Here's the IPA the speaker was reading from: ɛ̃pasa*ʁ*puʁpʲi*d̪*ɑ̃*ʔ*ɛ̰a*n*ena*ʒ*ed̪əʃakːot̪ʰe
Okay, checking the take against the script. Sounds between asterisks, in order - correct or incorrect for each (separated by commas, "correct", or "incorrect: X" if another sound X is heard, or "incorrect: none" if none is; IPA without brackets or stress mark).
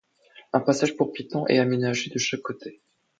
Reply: incorrect: ʒ, incorrect: t̪, correct, incorrect: m, correct